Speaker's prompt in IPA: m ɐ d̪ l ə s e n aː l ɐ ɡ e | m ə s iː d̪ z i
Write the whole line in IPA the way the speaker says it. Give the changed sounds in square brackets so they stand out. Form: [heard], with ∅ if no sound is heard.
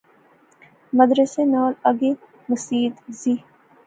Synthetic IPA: m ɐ d̪ [ɾ] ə s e n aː l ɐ ɡ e | m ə s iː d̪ z i

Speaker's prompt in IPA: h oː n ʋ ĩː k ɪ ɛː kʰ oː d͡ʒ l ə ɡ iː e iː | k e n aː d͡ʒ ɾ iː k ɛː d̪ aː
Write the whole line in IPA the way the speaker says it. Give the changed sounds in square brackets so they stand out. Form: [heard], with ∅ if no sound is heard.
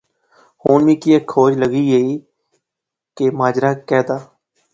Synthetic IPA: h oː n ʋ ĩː k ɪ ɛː kʰ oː d͡ʒ l ə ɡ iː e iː | k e [m] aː d͡ʒ ɾ [aː] k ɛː d̪ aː

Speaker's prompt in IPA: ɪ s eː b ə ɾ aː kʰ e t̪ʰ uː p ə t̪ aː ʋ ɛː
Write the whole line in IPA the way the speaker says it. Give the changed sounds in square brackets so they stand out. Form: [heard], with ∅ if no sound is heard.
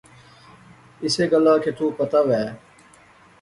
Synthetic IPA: ɪ s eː [ɡ] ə [l] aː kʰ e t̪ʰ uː p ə t̪ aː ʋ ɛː

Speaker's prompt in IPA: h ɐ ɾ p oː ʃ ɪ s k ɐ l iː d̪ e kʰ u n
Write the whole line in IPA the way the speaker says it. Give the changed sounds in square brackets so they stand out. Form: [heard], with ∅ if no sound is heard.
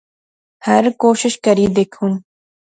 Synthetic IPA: h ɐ ɾ [k] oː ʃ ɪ [ʃ] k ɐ [ɾ] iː d̪ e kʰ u n

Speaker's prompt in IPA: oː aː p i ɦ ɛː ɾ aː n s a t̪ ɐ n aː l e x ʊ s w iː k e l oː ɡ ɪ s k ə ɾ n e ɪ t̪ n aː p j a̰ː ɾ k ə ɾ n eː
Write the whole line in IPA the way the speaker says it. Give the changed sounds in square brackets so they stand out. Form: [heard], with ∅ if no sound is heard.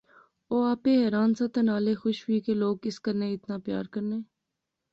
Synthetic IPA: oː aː p [e] ɦ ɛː ɾ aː n s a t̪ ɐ n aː l e x ʊ [ʃ] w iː k e l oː ɡ ɪ s k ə ɾ n e ɪ t̪ n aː p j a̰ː ɾ k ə ɾ n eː

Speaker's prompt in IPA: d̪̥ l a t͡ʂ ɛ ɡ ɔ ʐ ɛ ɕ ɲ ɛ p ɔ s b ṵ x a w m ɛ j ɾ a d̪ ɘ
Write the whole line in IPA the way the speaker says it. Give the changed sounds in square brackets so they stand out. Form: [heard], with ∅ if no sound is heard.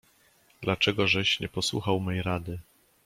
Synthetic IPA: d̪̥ l a t͡ʂ ɛ ɡ ɔ ʐ ɛ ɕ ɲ ɛ p ɔ s [w] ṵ x a w m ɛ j ɾ a d̪ ɘ

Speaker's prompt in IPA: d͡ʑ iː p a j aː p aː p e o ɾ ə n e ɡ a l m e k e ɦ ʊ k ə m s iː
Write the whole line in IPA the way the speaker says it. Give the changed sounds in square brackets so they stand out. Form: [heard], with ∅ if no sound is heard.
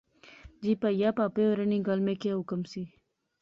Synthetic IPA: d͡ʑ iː p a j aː p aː p e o ɾ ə n [i] ɡ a l m e k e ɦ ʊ k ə m s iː

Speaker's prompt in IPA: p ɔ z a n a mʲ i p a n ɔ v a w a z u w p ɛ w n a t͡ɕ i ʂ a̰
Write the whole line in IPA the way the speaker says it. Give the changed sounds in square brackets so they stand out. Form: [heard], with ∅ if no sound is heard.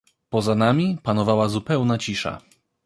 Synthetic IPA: p ɔ z a n a mʲ i p a n ɔ v a w a z u [∅] p ɛ w n a t͡ɕ i ʂ a̰

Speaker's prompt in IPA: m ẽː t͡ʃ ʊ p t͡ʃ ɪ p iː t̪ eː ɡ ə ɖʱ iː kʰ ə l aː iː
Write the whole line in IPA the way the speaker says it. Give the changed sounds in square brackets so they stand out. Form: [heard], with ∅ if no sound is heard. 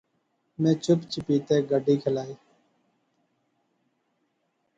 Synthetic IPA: m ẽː t͡ʃ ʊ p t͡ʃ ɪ p iː t̪ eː ɡ ə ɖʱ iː kʰ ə l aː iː

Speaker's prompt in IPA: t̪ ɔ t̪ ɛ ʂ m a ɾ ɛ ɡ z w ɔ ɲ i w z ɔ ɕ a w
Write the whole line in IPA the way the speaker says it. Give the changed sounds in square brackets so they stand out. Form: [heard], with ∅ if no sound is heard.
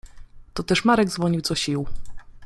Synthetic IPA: t̪ ɔ t̪ ɛ ʂ m a ɾ ɛ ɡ z [v] ɔ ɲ i w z ɔ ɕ [i] w

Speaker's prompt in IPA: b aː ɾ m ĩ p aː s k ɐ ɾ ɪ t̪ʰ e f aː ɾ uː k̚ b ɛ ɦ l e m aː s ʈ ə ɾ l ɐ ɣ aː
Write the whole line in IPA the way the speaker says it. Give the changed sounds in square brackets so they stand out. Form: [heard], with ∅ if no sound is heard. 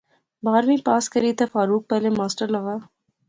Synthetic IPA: b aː ɾ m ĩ p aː s k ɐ ɾ [i] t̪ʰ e f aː ɾ uː k̚ [p] ɛ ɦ l e m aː s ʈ ə ɾ l ɐ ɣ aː

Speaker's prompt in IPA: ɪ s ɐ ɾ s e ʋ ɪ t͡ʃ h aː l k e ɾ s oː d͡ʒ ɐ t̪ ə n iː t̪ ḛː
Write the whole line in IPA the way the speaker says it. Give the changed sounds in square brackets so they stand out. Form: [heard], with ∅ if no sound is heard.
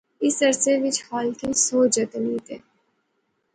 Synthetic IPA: ɪ s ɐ ɾ s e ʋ ɪ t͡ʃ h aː l k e [∅] s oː d͡ʒ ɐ t̪ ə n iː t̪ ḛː

